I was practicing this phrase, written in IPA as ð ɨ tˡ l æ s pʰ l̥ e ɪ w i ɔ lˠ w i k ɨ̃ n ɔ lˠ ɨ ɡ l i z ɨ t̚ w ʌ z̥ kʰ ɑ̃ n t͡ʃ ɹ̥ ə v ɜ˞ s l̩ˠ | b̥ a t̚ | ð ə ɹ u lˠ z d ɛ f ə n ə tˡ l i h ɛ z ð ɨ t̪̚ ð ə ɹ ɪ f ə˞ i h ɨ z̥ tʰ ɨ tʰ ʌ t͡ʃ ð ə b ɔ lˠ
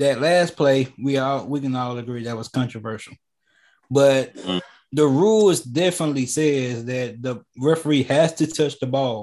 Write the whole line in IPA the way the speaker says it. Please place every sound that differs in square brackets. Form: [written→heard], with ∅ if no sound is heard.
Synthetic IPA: ð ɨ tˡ l æ s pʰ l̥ e ɪ w i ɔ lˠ w i k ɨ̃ n ɔ lˠ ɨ ɡ [l→ɹ] i [z→ð] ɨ t̚ w ʌ z̥ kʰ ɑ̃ n t͡ʃ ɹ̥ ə v ɜ˞ [s→ʃ] l̩ˠ | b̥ [a→ʌ] t̚ | ð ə ɹ u lˠ z d ɛ f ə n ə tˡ l i [h→s] ɛ z ð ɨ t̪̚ ð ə ɹ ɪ f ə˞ i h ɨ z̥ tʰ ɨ tʰ ʌ t͡ʃ ð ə b ɔ lˠ